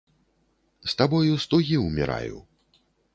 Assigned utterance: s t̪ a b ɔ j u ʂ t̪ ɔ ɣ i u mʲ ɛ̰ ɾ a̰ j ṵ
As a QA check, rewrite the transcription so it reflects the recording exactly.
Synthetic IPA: s t̪ a b ɔ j u s t̪ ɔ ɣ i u mʲ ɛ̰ ɾ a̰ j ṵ